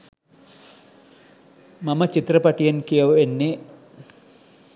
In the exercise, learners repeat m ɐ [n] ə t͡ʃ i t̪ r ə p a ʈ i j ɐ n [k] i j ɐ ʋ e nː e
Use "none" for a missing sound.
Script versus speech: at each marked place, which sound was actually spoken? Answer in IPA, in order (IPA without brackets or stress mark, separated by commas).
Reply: m, k